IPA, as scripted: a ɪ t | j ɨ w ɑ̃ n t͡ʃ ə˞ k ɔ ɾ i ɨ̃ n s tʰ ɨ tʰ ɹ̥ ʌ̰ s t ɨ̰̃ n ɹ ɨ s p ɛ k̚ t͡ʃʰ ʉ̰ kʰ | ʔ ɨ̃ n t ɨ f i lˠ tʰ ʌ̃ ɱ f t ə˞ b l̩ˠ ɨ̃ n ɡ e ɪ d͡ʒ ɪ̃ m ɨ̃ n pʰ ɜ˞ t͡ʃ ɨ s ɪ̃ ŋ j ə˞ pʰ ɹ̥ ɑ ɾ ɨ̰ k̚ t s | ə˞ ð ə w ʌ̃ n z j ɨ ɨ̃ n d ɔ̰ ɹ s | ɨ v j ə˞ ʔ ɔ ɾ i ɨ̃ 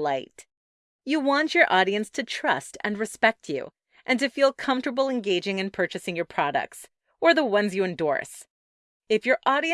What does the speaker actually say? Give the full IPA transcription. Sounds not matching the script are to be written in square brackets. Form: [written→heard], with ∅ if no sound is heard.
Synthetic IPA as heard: a ɪ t | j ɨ w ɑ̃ n t͡ʃ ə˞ [k→ʔ] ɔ ɾ i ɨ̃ n s tʰ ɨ tʰ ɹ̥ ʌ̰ s t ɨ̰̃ n ɹ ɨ s p ɛ k̚ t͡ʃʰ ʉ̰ [kʰ→∅] | ʔ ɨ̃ n t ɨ f i lˠ [tʰ→kʰ] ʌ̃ ɱ f t ə˞ b l̩ˠ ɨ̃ n ɡ e ɪ d͡ʒ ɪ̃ [m→ŋ] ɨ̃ n pʰ ɜ˞ t͡ʃ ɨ s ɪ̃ ŋ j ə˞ pʰ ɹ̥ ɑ ɾ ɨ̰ k̚ t s | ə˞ ð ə w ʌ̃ n z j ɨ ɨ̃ n d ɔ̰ ɹ s | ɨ [v→f] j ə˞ ʔ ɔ ɾ i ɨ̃